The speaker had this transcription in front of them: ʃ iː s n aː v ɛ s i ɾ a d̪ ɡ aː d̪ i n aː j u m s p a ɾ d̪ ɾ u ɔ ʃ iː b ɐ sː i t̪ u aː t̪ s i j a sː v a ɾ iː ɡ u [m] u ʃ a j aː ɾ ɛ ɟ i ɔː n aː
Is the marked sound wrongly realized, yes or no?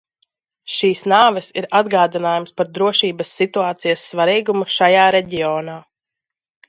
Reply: no